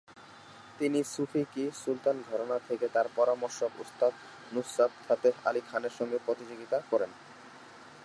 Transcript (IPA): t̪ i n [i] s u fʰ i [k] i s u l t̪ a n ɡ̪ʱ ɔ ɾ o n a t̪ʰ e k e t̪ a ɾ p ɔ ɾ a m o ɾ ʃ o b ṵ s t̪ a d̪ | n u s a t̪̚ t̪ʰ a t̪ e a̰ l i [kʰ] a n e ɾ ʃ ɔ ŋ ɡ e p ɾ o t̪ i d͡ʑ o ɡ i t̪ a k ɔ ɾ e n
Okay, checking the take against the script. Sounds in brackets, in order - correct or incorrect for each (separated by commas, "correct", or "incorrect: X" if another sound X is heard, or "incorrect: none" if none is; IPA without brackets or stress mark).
correct, correct, correct